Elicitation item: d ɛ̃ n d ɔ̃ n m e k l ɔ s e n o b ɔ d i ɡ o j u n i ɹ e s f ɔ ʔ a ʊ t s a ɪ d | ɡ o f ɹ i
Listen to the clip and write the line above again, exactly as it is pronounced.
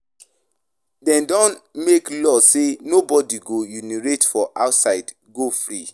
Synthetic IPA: d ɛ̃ n d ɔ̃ n m e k l ɔ s e n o b ɔ d i ɡ o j u n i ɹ e t f ɔ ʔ a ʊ t s a ɪ d | ɡ o f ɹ i